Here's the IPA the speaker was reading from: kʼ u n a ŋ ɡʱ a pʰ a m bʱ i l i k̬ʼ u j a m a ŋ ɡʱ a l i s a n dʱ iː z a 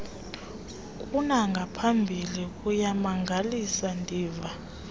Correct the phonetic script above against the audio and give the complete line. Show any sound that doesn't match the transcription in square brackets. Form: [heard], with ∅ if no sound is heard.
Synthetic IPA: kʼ u n a ŋ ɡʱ a pʰ a m bʱ i l i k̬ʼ u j a m a ŋ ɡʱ a l i s a n dʱ iː [v] a